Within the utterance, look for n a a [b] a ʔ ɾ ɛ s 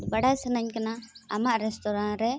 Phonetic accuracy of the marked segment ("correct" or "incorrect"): incorrect